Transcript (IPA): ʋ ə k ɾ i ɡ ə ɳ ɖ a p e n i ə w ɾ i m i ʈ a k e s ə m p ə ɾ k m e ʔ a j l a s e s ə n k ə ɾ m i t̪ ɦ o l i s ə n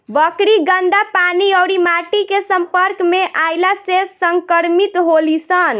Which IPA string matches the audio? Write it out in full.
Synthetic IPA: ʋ ə k ɾ i ɡ ə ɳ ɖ a p a n i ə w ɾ i m a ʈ i k e s ə m p ə ɾ k m e ʔ a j l a s e s ə ŋ k ə ɾ m i t̪ ɦ o l i s ə n